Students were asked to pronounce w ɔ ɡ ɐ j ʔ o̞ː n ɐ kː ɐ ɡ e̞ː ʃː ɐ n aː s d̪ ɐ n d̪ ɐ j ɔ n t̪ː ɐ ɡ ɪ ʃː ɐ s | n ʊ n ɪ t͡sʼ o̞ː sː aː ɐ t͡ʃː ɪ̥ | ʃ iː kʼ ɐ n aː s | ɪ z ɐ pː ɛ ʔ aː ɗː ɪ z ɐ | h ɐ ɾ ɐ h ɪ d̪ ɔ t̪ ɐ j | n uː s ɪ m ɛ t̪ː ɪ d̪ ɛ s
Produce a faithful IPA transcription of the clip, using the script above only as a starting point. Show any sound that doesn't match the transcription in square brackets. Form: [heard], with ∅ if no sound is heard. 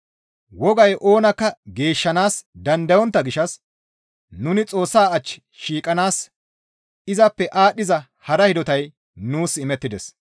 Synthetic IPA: w ɔ ɡ ɐ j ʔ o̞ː n ɐ kː ɐ ɡ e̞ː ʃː ɐ n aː s d̪ ɐ n d̪ ɐ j ɔ n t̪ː ɐ ɡ ɪ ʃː ɐ s | n ʊ n ɪ t͡sʼ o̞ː sː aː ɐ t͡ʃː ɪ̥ | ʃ iː kʼ ɐ n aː s | ɪ z ɐ pː ɛ ʔ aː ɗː ɪ z ɐ | h ɐ ɾ ɐ h ɪ d̪ ɔ t̪ ɐ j | n uː s ɪ m ɛ t̪ː ɪ d̪ ɛ s